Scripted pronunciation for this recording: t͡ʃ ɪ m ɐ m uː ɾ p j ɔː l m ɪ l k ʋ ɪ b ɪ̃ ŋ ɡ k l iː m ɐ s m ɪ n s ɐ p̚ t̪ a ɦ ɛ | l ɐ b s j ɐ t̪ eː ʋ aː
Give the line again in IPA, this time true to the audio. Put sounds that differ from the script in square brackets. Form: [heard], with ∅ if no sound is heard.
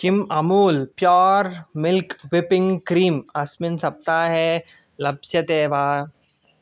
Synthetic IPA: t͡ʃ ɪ m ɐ m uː [l] p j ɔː [ɾ] m ɪ l k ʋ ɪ [p] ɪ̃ ŋ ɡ k [ɾ] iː m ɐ s m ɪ n s ɐ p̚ t̪ a ɦ ɛ | l ɐ b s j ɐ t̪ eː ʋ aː

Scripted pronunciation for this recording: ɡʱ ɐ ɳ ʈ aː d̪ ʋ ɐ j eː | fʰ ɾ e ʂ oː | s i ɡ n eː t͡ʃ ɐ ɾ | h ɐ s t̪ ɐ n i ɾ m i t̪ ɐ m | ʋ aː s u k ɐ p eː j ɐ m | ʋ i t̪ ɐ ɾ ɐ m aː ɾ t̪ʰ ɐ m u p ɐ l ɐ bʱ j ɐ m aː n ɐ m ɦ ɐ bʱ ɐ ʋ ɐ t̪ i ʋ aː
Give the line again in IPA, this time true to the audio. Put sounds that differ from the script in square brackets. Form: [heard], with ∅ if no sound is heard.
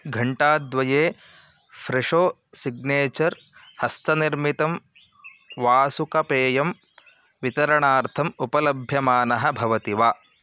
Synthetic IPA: ɡʱ ɐ ɳ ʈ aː d̪ ʋ ɐ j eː | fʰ ɾ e ʂ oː | s i ɡ n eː t͡ʃ ɐ ɾ | h ɐ s t̪ ɐ n i ɾ m i t̪ ɐ m | ʋ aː s u k ɐ p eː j ɐ m | ʋ i t̪ ɐ ɾ ɐ [ɳ] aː ɾ t̪ʰ ɐ m u p ɐ l ɐ bʱ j ɐ m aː n ɐ [∅] ɦ ɐ bʱ ɐ ʋ ɐ t̪ i ʋ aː

